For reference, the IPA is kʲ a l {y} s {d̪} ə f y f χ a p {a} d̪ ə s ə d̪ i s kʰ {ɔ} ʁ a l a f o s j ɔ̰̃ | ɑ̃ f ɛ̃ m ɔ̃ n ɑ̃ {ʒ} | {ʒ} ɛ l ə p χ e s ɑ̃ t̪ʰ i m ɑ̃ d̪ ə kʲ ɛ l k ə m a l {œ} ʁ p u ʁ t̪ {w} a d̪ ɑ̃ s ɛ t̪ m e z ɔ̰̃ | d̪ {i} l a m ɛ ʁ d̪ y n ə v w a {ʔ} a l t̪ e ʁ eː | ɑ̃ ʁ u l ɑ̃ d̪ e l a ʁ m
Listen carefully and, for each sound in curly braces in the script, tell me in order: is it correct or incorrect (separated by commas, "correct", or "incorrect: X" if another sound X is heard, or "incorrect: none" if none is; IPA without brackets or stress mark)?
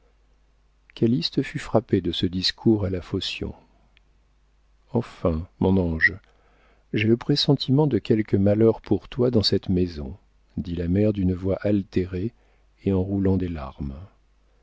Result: incorrect: i, incorrect: t̪, incorrect: e, incorrect: u, correct, correct, correct, correct, correct, correct